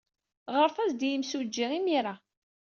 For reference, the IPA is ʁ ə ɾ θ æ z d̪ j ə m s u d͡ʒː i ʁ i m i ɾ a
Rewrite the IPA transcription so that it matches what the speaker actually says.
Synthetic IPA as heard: ʁ ə ɾ θ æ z d̪ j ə m s u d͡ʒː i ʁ i m i ɾ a